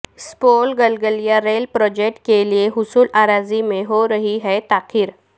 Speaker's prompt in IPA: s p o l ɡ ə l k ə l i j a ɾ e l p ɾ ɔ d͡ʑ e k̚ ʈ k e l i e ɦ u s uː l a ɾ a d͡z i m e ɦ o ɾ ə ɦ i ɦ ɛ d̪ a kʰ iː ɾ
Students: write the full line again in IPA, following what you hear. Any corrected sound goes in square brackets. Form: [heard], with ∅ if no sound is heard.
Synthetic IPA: s p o l ɡ ə l [ɡ] ə l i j a ɾ e l p ɾ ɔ d͡ʑ e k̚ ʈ k e l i e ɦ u s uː l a ɾ a d͡z i m e ɦ o ɾ ə ɦ i ɦ ɛ [t̪] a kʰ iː ɾ